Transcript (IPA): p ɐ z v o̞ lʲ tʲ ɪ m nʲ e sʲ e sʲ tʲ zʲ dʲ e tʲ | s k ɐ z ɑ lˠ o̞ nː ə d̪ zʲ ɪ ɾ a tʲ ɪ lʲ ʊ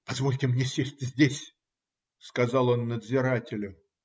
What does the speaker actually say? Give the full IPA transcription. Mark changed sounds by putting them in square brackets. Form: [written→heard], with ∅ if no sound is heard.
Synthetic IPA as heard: p ɐ z v o̞ lʲ tʲ ɪ m nʲ e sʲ e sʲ tʲ zʲ dʲ e [tʲ→sʲ] | s k ɐ z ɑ lˠ o̞ nː ə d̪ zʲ ɪ ɾ a tʲ ɪ lʲ ʊ